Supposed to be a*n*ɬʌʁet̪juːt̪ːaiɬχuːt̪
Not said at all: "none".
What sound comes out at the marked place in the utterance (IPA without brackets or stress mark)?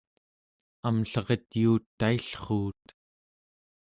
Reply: m